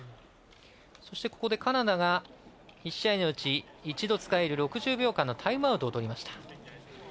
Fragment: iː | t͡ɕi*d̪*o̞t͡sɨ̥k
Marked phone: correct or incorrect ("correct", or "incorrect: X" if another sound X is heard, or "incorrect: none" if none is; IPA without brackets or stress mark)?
correct